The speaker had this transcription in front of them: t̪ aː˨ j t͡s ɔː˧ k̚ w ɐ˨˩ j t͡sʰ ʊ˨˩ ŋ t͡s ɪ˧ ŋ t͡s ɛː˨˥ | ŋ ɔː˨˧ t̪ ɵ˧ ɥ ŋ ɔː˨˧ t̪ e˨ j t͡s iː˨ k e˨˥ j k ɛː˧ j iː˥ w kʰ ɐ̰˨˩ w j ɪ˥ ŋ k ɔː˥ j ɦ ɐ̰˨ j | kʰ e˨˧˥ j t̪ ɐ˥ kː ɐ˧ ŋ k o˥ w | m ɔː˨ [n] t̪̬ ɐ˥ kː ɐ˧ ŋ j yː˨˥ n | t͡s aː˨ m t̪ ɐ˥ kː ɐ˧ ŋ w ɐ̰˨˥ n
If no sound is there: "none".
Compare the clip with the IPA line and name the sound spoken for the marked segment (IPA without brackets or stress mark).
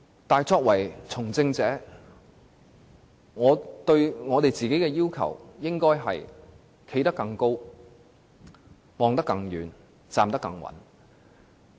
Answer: ŋ